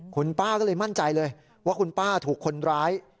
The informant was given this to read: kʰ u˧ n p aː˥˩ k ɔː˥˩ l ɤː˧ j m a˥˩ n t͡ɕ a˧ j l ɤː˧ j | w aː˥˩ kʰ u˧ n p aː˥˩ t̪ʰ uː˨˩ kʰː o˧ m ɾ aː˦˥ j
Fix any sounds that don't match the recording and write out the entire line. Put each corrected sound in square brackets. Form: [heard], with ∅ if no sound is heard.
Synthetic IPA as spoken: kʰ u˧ n p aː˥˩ k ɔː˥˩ l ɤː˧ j m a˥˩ n t͡ɕ a˧ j l ɤː˧ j | w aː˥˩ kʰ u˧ n p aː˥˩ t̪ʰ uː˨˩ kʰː o˧ [n] ɾ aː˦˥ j